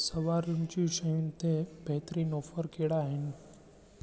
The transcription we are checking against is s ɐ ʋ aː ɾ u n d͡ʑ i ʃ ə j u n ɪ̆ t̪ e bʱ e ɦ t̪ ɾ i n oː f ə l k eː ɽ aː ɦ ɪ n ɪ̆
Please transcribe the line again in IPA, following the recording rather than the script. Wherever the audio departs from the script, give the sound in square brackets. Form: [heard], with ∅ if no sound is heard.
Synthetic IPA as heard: s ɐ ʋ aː ɾ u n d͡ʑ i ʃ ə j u n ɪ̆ t̪ e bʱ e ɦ t̪ ɾ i n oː f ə [ɾ] k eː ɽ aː ɦ ɪ n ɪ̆